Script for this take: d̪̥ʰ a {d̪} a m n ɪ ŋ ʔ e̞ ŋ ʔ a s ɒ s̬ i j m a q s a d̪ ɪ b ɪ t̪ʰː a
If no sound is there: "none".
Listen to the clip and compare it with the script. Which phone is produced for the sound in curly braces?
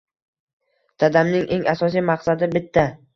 d̪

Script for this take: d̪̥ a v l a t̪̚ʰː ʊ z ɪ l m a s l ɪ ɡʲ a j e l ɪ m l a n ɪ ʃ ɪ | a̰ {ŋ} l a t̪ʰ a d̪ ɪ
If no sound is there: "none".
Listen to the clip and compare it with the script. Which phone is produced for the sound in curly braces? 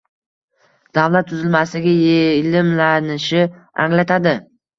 ŋ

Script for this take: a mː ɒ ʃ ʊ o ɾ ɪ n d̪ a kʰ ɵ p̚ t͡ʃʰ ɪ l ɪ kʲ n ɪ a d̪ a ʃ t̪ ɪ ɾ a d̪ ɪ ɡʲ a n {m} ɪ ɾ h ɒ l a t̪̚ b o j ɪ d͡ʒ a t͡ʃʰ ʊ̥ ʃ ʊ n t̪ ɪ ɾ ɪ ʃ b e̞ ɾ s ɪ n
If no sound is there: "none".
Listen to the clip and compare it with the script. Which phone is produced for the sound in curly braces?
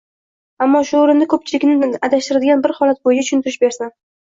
b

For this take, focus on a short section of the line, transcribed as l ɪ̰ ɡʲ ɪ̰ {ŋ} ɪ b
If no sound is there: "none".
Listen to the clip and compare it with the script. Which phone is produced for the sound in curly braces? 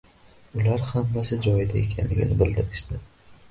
n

